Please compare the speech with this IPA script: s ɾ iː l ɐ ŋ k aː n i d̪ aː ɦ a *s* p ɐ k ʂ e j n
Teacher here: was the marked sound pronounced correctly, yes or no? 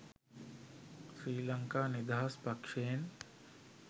yes